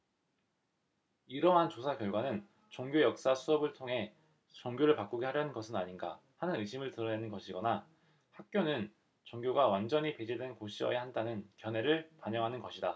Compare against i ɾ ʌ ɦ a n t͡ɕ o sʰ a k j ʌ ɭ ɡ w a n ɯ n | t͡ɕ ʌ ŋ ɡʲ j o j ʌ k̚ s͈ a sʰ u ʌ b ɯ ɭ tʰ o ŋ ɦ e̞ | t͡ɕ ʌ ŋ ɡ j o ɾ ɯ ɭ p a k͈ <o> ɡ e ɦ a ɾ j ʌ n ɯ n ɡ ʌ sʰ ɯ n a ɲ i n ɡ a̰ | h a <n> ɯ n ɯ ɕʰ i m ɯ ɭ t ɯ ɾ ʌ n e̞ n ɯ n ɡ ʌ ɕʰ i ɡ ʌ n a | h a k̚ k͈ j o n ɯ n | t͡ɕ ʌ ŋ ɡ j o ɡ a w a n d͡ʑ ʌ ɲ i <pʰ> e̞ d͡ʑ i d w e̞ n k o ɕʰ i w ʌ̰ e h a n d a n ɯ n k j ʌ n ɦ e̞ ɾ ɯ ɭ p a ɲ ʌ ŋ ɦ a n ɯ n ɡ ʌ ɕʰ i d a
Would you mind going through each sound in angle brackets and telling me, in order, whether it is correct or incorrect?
incorrect: u, correct, incorrect: p

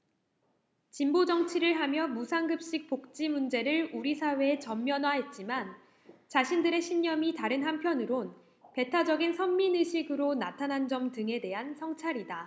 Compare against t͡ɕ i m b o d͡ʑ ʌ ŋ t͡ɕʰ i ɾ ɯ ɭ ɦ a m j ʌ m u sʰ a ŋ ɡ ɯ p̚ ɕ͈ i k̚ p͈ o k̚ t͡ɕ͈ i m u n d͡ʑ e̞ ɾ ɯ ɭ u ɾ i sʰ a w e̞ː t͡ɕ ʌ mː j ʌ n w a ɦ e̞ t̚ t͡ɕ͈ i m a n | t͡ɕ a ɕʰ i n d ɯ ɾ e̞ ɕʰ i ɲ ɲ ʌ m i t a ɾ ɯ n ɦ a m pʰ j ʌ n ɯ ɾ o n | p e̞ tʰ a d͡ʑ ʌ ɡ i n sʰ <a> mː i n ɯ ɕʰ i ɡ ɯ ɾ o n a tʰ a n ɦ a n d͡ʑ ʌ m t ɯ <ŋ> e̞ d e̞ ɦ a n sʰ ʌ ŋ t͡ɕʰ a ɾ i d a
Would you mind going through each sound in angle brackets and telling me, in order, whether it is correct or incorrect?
incorrect: ʌ, correct

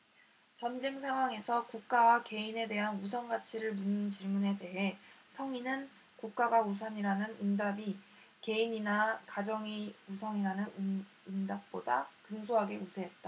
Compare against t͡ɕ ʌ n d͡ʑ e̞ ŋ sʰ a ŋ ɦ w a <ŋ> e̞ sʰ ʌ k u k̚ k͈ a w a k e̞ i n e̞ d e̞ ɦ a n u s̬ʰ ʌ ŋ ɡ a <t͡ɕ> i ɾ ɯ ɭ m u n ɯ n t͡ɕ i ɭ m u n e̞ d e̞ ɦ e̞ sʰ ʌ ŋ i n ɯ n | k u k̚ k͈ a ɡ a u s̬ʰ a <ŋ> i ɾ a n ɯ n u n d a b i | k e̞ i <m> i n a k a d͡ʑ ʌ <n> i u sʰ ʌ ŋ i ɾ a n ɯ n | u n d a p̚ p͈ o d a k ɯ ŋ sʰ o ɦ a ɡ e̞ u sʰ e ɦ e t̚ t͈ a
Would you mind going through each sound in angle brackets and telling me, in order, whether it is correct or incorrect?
correct, incorrect: t͡ɕʰ, incorrect: ɲ, incorrect: ɲ, incorrect: ŋ

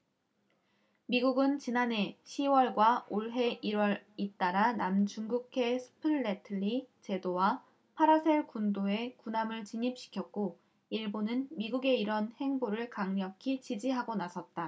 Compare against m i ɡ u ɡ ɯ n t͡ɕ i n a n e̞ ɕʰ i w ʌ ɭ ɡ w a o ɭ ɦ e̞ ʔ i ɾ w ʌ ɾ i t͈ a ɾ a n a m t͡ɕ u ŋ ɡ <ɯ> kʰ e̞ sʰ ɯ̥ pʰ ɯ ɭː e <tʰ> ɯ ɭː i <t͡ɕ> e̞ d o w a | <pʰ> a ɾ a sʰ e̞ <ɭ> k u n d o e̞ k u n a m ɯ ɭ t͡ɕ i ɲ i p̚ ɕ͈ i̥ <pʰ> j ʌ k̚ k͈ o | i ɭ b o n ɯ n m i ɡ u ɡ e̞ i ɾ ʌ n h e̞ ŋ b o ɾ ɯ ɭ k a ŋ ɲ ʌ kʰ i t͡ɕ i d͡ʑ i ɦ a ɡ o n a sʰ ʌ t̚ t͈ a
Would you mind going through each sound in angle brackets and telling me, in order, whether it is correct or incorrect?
incorrect: u, correct, correct, correct, correct, incorrect: kʰ

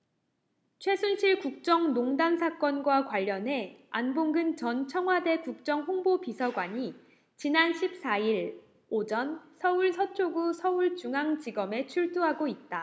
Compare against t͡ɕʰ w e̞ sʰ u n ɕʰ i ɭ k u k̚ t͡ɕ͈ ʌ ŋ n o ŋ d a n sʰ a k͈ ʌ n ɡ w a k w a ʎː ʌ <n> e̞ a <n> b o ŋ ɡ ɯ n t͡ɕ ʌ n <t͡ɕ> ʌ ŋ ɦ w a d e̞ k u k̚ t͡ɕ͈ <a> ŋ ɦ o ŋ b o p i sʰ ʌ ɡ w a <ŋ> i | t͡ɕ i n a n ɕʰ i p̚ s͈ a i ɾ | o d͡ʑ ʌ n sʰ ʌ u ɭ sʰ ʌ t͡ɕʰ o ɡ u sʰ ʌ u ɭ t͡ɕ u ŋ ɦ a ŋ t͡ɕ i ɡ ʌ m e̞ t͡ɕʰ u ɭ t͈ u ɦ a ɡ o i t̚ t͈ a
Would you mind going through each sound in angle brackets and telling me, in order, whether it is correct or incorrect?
correct, correct, incorrect: t͡ɕʰ, incorrect: ʌ, incorrect: ɲ

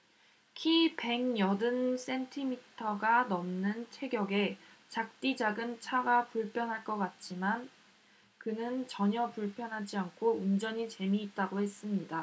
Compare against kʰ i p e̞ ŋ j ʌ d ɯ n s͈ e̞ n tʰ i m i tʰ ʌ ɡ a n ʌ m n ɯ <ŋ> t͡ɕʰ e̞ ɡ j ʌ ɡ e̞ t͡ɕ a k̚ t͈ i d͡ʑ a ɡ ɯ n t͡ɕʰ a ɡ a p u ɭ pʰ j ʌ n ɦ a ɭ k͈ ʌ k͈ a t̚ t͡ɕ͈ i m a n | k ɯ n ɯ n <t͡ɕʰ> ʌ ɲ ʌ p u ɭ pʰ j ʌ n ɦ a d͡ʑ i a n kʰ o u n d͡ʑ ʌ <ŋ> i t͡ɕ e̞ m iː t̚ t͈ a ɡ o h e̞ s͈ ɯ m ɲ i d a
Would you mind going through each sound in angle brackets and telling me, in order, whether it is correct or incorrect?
incorrect: n, incorrect: t͡ɕ, incorrect: ɲ

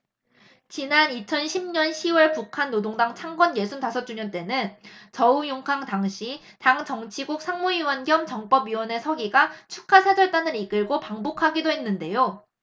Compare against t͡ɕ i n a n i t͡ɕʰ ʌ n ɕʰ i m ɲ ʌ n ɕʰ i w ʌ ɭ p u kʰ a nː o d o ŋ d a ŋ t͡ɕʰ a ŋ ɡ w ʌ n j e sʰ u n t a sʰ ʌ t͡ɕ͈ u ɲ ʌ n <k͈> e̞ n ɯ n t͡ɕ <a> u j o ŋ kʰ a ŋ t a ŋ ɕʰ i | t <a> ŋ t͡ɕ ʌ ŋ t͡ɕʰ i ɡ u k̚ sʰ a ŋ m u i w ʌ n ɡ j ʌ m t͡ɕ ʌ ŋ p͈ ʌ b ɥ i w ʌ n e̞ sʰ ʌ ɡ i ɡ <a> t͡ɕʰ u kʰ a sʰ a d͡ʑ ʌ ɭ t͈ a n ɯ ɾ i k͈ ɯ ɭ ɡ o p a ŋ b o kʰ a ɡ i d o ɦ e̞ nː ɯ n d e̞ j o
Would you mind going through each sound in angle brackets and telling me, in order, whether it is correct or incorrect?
incorrect: t͈, incorrect: ʌ, correct, correct

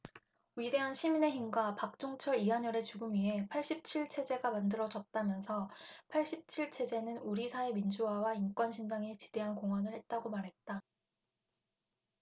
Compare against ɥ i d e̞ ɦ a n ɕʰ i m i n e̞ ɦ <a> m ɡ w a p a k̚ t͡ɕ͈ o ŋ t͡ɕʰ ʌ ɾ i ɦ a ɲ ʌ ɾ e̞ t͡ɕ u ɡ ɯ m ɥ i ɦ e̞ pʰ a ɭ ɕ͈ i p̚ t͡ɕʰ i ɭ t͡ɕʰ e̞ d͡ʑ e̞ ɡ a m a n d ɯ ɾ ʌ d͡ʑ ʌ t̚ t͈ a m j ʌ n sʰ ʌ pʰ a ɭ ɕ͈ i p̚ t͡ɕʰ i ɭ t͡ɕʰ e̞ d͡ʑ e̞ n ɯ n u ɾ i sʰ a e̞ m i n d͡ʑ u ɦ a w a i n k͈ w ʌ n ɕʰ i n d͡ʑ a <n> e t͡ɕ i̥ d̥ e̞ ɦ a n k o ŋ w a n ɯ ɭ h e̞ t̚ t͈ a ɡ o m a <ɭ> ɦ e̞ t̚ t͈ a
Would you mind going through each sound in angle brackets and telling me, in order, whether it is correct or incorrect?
incorrect: i, incorrect: ŋ, incorrect: ɾ

